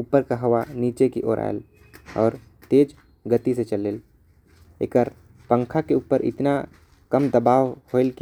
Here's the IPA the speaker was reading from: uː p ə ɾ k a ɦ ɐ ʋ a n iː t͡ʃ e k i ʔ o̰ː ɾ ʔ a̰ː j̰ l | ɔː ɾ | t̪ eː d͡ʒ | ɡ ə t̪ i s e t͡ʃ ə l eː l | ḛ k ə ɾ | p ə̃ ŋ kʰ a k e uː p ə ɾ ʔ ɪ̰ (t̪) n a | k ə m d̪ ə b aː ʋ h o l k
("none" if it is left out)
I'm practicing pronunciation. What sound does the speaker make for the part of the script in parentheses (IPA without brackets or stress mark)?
t̪